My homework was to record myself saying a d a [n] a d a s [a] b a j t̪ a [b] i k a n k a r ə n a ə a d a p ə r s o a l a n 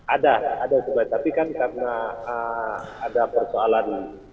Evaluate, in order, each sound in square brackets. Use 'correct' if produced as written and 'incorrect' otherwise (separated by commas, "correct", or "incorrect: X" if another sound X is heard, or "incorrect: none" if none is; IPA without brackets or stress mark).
incorrect: none, incorrect: ə, incorrect: p